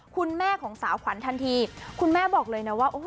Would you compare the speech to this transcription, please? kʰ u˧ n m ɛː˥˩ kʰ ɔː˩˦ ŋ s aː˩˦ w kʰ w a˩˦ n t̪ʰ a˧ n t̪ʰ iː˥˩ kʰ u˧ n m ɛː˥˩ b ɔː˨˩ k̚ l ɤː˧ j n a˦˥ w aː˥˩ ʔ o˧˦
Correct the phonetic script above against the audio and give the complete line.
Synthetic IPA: kʰ u˧ n m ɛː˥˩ kʰ ɔː˩˦ ŋ s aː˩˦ w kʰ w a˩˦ n t̪ʰ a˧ n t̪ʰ iː˧ kʰ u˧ n m ɛː˥˩ b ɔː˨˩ k̚ l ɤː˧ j n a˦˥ w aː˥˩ ʔ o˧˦